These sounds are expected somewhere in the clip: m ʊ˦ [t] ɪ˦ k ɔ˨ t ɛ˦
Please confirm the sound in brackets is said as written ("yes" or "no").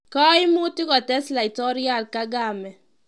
yes